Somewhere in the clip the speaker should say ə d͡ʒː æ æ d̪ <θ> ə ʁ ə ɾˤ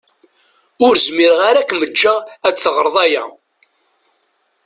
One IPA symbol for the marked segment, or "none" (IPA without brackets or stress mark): θ